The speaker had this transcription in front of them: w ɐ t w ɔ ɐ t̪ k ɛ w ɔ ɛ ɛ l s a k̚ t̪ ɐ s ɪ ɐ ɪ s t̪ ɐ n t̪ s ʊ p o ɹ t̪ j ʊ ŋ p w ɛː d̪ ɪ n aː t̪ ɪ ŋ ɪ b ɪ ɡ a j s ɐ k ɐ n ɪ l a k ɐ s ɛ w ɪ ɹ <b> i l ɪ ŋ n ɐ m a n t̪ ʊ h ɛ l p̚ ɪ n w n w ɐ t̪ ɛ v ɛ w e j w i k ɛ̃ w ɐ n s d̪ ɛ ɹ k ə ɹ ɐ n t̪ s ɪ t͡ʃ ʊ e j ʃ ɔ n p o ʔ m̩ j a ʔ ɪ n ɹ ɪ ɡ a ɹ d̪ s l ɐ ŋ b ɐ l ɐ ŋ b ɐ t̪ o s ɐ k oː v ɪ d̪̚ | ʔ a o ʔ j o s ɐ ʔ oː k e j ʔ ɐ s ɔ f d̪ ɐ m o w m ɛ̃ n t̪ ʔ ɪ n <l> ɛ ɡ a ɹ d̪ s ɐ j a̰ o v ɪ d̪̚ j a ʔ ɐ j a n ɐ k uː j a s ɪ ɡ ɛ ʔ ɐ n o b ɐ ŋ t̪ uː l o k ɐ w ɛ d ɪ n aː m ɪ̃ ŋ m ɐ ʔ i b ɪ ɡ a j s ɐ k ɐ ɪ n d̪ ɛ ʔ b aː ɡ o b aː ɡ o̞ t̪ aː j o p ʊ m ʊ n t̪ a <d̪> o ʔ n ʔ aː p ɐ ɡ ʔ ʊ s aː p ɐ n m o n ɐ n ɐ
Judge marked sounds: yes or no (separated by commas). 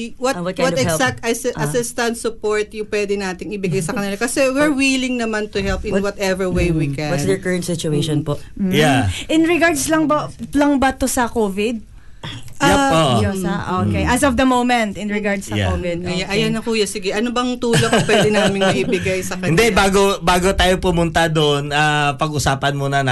no, no, yes